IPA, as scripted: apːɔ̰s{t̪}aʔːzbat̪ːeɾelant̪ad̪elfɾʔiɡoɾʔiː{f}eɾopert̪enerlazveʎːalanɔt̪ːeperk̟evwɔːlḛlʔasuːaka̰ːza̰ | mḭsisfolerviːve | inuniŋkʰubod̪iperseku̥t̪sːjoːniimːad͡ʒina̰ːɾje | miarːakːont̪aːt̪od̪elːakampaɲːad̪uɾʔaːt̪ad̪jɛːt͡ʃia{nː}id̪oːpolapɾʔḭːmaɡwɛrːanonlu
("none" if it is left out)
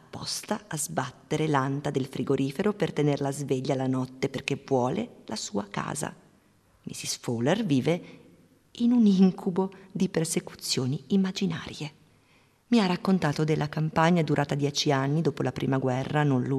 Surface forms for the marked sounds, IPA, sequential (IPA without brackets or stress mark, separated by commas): t̪, f, nː